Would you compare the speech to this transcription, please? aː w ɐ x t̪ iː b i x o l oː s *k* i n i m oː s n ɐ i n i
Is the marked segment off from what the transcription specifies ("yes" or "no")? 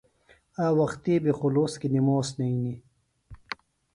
no